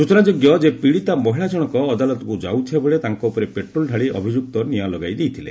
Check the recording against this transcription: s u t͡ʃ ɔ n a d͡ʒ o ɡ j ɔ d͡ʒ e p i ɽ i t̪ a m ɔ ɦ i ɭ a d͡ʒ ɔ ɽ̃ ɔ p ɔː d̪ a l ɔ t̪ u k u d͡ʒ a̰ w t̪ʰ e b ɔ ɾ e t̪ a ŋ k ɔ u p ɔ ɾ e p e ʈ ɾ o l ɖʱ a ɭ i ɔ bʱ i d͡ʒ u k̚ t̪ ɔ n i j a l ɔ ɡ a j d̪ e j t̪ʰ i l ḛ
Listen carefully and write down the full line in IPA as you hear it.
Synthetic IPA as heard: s u t͡ʃ ɔ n a d͡ʒ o ɡ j ɔ d͡ʒ e p i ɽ i t̪ a m ɔ ɦ i ɭ a d͡ʒ ɔ ɽ̃ ɔ k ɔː d̪ a l ɔ t̪ ɔ k u d͡ʒ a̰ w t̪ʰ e b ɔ ɭ e t̪ a ŋ k ɔ u p ɔ ɾ e p e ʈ ɾ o l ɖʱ a ɭ i ɔ bʱ i d͡ʒ u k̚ t̪ ɔ n i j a l ɔ ɡ a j d̪ e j t̪ʰ i l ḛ